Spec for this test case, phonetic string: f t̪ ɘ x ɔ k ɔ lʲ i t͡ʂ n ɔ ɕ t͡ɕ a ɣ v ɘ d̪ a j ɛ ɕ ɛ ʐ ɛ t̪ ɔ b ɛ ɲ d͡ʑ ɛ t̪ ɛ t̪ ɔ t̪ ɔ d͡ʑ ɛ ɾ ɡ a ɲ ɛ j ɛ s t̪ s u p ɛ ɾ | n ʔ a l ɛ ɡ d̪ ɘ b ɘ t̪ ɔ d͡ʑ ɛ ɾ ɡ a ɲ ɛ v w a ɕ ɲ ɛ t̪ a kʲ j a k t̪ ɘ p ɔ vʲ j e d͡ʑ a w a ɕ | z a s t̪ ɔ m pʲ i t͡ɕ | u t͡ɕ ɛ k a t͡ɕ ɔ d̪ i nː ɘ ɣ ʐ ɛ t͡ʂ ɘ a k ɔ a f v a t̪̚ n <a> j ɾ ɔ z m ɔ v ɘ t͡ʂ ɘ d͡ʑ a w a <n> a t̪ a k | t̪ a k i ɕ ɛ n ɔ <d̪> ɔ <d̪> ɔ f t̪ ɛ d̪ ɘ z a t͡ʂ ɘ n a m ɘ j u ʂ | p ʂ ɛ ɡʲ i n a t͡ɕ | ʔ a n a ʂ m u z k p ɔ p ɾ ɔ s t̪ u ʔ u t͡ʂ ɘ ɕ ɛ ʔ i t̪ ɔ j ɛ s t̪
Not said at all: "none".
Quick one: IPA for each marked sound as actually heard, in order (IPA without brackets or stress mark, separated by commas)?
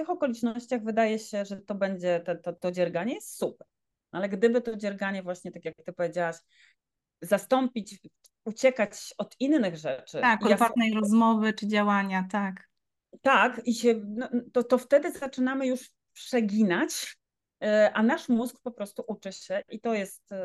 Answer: ɛ, ɲ, t̪, t̪